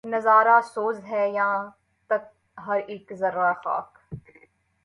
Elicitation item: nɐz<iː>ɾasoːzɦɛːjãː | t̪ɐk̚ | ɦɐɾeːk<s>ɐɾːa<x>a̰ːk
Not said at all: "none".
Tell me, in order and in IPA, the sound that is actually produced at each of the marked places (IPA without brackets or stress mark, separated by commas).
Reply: aː, z, x